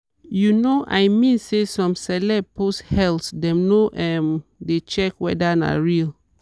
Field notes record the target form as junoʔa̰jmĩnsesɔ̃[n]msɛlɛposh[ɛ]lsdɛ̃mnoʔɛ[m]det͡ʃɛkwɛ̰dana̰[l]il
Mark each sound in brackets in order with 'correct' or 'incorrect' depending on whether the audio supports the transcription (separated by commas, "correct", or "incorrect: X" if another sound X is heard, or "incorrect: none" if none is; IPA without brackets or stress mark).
incorrect: none, correct, correct, incorrect: ɹ